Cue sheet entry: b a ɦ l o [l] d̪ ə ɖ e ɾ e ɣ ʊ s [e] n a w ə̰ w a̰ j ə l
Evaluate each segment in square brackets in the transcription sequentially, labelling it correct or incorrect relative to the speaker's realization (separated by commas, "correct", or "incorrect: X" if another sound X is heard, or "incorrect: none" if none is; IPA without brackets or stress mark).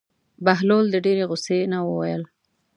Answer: correct, correct